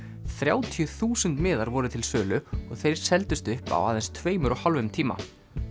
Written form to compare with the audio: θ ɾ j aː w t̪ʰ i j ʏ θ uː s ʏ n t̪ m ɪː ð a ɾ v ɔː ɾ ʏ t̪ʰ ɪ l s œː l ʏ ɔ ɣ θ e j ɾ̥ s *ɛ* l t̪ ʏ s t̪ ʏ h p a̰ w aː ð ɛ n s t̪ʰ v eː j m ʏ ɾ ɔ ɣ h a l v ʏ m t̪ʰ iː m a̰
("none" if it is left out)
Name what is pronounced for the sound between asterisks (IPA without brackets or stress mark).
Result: ɛ